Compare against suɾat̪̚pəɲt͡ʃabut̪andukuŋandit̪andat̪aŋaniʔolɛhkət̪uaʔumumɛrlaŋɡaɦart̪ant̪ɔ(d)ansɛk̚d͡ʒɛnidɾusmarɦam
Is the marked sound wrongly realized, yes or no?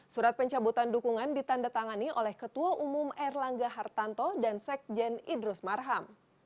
no